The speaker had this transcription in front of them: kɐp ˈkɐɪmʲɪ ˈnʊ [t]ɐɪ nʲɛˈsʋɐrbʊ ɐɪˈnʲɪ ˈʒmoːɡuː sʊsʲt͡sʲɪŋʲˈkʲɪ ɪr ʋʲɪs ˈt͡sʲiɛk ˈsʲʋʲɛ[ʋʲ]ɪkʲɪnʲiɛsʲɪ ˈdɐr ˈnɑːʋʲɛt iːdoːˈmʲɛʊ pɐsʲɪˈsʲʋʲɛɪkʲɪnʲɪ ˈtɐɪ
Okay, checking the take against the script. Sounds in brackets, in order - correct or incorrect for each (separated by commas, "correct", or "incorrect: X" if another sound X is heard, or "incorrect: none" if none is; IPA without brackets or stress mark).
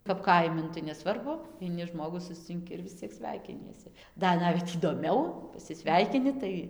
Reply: correct, incorrect: none